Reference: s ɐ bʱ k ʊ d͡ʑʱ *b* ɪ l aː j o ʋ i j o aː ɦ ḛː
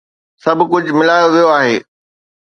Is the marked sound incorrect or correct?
incorrect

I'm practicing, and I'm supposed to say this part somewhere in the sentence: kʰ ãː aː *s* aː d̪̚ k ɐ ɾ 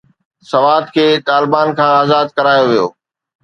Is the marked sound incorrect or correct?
incorrect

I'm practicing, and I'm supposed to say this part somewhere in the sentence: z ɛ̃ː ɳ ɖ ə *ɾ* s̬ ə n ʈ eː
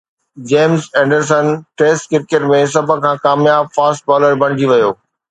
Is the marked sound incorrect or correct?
correct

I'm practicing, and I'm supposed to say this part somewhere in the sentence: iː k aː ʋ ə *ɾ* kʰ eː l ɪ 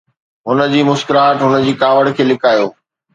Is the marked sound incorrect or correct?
incorrect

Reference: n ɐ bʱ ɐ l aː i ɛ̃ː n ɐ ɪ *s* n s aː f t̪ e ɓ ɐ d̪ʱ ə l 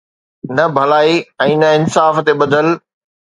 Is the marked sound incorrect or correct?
incorrect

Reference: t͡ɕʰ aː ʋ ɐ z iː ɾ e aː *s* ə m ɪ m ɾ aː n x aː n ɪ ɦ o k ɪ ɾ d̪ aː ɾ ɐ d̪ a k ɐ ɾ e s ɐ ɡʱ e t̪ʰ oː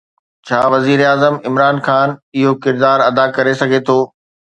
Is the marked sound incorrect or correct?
incorrect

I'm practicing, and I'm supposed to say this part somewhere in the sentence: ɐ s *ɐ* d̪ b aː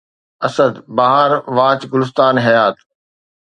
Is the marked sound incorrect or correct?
incorrect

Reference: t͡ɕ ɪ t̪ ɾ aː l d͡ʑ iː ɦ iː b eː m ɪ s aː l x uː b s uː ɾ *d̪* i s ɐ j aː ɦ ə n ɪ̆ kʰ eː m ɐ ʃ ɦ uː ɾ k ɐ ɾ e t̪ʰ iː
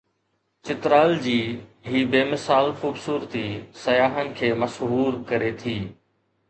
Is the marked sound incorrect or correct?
incorrect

